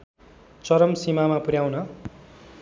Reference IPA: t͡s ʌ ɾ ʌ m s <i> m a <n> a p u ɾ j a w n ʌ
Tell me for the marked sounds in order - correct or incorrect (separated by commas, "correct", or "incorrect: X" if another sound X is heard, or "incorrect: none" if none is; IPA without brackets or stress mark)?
correct, incorrect: m